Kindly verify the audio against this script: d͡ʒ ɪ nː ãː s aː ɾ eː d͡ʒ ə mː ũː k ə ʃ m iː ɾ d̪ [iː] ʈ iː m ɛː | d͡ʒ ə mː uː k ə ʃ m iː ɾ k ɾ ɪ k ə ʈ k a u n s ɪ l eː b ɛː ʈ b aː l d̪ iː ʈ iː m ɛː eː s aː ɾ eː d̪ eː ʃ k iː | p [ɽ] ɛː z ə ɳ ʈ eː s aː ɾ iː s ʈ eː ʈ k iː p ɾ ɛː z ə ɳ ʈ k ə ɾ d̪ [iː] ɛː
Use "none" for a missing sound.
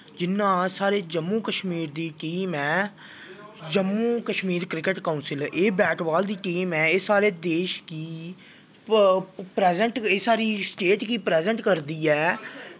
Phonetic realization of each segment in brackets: iː, ɾ, iː

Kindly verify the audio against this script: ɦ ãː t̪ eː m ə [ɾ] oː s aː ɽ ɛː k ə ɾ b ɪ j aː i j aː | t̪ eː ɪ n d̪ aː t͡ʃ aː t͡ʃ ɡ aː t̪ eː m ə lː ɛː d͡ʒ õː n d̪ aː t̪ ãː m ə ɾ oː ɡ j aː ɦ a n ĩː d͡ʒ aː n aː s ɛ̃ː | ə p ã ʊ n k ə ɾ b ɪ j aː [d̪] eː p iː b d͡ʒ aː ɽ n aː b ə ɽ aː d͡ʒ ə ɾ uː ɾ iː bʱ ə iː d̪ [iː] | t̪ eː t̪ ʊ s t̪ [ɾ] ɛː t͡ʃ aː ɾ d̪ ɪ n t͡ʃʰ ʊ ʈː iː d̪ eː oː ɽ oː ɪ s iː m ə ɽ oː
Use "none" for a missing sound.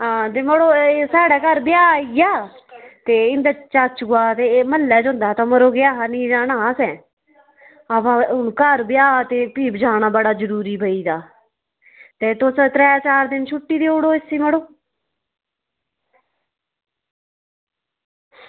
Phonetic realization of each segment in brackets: ɽ, t̪, aː, ɾ

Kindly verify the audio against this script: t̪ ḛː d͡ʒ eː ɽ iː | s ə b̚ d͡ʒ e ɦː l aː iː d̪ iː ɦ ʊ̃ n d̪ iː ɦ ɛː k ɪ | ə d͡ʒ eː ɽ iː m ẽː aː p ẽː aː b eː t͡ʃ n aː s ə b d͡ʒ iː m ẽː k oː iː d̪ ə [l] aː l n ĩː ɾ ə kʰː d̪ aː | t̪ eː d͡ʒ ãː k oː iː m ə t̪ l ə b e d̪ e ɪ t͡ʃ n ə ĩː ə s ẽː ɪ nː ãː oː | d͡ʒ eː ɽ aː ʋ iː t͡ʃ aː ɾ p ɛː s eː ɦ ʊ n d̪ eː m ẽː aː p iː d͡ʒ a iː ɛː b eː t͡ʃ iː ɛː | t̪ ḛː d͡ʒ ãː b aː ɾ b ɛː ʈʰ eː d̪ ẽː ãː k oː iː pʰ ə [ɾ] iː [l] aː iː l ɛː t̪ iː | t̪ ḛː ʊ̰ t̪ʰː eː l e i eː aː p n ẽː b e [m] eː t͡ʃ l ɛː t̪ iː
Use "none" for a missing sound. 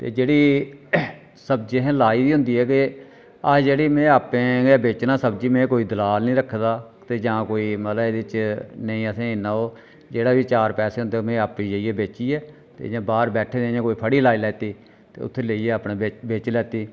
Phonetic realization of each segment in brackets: l, ɽ, l, b

